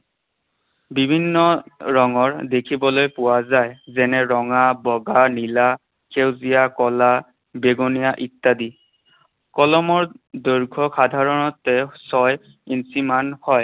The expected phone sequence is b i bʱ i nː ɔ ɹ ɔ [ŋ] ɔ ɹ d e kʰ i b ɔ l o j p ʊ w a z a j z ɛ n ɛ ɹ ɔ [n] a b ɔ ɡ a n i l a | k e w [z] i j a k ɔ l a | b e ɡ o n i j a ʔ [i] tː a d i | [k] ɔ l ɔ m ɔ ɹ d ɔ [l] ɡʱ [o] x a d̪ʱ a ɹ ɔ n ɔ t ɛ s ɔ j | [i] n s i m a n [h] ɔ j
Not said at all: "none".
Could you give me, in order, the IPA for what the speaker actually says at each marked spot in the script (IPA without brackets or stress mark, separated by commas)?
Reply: ŋ, ŋ, z, i, k, ɹ, ɔ, i, h